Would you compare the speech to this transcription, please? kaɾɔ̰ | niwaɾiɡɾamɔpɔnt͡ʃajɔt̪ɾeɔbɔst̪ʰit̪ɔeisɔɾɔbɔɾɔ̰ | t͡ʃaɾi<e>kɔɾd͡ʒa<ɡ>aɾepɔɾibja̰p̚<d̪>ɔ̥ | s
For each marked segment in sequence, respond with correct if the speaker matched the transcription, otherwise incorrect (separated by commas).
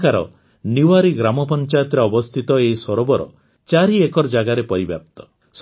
correct, correct, incorrect